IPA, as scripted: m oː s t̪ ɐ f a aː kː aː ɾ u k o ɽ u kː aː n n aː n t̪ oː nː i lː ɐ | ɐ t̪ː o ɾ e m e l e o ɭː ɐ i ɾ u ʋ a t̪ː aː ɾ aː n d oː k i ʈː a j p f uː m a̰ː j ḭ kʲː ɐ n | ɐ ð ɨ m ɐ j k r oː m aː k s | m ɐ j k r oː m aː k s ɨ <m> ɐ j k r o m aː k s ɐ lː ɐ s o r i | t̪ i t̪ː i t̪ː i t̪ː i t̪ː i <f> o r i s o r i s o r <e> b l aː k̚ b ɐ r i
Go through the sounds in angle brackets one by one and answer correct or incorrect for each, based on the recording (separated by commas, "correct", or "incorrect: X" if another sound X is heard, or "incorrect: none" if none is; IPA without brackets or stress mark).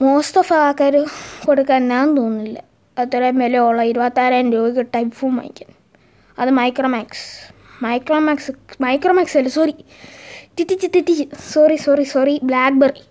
correct, incorrect: s, incorrect: i